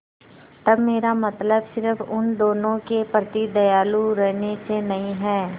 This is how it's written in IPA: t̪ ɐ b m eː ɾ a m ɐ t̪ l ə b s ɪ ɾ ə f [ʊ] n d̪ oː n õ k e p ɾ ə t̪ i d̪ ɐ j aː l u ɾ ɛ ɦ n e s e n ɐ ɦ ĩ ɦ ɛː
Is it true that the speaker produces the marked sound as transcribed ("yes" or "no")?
yes